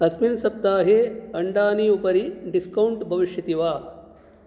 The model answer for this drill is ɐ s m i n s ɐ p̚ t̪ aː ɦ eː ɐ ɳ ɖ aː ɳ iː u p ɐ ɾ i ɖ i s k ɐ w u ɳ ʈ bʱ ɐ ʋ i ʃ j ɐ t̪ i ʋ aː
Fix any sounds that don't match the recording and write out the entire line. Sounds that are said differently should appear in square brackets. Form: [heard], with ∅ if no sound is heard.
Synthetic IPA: ɐ s m i n s ɐ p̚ t̪ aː ɦ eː ɐ ɳ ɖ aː [n] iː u p ɐ ɾ i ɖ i s k ɐ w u ɳ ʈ bʱ ɐ ʋ i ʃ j ɐ t̪ i ʋ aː